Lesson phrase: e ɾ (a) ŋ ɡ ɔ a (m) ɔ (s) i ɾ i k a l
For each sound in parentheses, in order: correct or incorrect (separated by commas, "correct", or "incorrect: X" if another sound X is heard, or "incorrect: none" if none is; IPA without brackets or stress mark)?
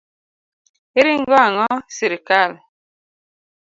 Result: incorrect: i, incorrect: ŋ, correct